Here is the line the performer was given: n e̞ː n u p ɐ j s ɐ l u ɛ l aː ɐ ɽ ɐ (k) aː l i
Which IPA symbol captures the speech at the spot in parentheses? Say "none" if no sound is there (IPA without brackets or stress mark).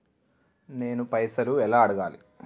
ɡ